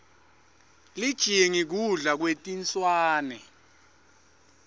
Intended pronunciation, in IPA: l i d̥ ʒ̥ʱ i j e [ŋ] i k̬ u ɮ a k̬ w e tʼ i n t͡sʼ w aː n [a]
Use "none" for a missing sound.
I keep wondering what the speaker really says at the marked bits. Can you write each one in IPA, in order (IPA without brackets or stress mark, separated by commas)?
ŋ, ɛ